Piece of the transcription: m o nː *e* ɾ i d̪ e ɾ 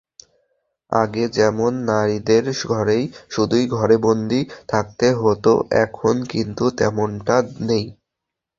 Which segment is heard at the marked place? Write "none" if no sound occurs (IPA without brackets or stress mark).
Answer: a